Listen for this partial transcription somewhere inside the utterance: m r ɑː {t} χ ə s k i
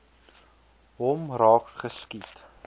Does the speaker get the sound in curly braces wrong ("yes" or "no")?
yes